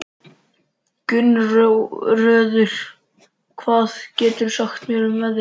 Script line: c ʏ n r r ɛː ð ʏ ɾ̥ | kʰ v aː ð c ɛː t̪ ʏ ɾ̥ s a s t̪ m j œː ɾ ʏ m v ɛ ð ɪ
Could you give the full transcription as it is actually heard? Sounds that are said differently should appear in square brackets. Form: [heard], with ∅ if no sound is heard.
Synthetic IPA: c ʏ n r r [œː] ð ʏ ɾ̥ | kʰ v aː ð c ɛː t̪ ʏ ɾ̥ s a [x] t̪ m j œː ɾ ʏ m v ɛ ð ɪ